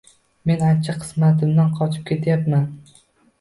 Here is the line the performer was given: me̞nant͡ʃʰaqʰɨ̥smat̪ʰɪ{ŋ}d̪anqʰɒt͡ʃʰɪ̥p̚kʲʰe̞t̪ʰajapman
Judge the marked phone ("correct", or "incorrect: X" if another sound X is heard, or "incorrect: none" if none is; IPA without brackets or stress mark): incorrect: m